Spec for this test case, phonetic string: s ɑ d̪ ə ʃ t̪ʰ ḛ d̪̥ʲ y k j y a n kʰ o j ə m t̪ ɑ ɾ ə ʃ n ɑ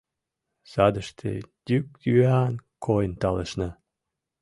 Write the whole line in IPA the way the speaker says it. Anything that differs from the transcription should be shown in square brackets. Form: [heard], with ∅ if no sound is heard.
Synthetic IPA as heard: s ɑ d̪ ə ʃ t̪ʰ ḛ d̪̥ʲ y k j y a n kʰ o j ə [n] t̪ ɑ [l] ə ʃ n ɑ